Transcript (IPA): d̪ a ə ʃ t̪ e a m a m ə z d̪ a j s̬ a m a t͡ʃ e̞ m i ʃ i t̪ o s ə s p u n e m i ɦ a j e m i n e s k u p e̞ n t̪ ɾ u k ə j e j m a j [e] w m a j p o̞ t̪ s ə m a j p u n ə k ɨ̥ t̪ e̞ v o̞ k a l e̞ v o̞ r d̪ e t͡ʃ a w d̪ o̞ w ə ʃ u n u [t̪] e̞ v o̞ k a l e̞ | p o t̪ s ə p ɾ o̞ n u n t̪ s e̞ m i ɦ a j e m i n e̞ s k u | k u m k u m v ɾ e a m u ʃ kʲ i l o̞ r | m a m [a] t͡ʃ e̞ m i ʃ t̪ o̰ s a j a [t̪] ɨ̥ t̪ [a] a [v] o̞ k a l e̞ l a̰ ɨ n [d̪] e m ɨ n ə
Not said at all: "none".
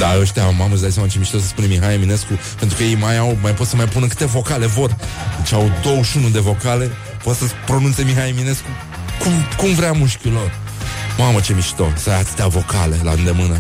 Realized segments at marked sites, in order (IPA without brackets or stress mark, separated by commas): a, d̪, ə, t̪, e, v, d̪